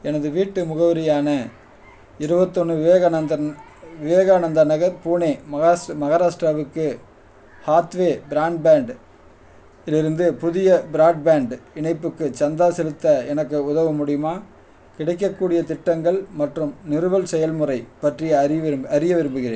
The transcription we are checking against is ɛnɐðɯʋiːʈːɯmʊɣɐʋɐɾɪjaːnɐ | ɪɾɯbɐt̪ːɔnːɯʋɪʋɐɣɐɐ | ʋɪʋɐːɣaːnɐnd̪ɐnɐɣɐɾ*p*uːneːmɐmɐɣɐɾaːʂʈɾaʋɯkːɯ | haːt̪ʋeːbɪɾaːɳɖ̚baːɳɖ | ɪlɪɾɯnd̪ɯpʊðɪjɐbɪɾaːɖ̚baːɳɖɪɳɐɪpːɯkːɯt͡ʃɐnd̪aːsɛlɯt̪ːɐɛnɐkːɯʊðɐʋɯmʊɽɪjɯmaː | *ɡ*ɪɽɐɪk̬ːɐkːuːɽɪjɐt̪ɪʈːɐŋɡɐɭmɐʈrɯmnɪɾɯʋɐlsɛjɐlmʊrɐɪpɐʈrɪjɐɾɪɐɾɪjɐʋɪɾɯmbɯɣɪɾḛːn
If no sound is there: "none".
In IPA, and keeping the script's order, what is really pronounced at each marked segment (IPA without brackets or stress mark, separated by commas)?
p, k